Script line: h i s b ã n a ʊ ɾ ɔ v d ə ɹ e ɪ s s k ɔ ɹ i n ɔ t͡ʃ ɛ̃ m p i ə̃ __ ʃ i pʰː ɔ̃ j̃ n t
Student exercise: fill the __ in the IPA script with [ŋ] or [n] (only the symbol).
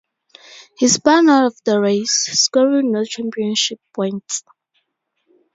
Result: n